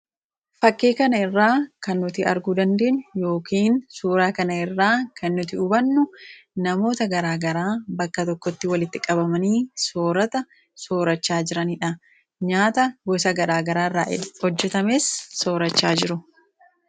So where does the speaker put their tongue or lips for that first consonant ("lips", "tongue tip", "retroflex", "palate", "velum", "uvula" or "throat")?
lips